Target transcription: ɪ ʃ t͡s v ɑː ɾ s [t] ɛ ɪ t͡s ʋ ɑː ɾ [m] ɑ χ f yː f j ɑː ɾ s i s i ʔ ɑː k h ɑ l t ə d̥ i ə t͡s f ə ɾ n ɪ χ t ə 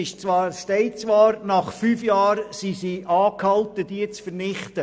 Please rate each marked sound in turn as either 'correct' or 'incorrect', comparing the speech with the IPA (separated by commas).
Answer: correct, incorrect